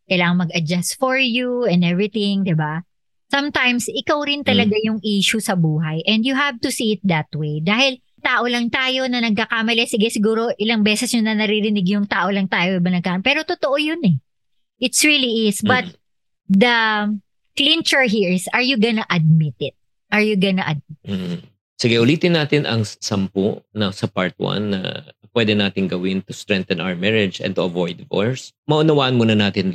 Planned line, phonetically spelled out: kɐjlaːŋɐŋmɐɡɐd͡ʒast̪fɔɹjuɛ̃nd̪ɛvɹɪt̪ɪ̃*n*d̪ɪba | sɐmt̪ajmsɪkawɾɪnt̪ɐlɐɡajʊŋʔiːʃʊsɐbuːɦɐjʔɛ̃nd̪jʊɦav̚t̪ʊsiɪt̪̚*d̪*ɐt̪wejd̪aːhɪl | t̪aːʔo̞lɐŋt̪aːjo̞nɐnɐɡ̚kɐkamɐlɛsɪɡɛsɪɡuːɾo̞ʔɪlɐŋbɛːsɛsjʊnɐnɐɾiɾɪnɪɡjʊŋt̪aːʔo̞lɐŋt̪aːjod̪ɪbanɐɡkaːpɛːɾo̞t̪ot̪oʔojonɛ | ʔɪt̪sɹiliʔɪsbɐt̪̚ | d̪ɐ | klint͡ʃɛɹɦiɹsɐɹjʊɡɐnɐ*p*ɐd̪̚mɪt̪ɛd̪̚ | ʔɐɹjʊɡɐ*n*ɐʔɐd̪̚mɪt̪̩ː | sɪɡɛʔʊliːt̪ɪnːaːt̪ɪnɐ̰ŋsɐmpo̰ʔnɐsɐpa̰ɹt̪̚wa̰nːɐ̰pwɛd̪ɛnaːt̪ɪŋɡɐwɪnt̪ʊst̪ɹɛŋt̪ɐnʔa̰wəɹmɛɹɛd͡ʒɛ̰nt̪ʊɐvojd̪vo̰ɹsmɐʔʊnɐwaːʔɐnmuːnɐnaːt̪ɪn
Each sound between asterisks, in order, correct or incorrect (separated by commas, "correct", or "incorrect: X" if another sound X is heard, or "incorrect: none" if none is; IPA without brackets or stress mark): incorrect: ŋ, correct, incorrect: ʔ, correct